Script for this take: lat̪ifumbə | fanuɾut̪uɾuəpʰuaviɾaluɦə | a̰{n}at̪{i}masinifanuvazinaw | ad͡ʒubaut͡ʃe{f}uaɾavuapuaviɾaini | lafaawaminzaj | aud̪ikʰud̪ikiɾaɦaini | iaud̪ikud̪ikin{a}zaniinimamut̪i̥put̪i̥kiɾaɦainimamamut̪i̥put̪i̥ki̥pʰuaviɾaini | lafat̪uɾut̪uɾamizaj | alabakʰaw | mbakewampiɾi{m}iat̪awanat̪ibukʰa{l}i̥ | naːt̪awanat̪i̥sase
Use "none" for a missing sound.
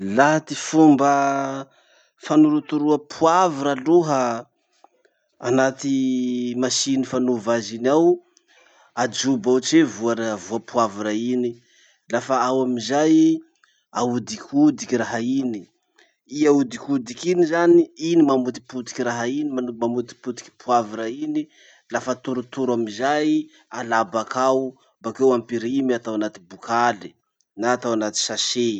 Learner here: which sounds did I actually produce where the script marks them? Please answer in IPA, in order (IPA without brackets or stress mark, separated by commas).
n, i, v, i, m, l